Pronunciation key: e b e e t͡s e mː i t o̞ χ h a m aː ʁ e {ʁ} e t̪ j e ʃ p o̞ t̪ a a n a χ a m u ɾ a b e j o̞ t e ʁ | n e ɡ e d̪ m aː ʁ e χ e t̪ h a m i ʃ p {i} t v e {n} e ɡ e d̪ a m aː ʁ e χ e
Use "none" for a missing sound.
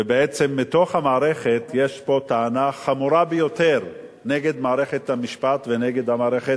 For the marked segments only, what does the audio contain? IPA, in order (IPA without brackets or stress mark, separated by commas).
χ, a, n